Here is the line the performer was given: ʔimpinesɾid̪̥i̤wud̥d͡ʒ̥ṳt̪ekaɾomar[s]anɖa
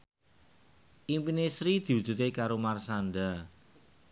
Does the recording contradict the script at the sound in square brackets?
no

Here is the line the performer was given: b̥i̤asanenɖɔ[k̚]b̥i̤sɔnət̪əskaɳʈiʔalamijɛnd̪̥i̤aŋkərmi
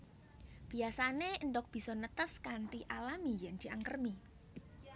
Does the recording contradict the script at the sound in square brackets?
no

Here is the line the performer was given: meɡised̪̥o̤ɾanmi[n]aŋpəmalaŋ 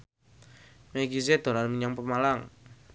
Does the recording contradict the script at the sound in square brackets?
yes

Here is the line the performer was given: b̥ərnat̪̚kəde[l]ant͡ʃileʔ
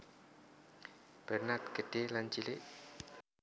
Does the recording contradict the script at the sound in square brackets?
no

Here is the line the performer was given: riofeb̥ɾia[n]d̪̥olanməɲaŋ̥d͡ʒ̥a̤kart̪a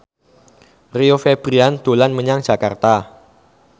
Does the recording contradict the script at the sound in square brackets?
no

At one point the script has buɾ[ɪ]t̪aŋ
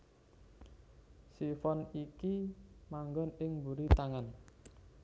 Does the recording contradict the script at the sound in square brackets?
yes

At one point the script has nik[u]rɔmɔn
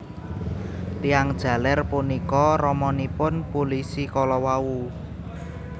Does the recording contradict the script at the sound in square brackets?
yes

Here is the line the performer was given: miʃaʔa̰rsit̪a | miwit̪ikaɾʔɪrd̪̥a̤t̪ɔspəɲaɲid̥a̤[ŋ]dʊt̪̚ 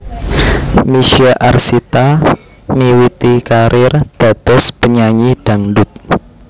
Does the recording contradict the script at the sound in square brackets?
no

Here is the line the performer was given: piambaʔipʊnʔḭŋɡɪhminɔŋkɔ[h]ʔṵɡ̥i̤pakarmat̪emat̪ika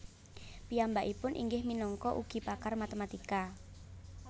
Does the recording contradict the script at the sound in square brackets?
yes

